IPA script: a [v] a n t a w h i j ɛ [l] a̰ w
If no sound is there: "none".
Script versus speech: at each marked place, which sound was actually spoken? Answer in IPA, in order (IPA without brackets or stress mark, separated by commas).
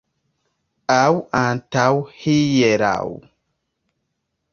w, ɾ